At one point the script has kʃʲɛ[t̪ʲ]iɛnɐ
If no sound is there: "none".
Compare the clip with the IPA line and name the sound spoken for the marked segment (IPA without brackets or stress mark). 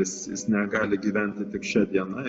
d̪ʲ